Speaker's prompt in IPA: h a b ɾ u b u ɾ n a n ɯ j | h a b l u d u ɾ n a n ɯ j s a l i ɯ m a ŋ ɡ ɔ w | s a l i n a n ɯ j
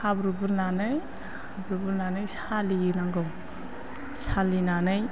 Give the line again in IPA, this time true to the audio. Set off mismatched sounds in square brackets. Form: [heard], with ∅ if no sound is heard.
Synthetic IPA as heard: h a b ɾ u b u ɾ n a n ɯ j | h a b [ɾ] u [b] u ɾ n a n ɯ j s a l i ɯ [n] a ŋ ɡ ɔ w | s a l i n a n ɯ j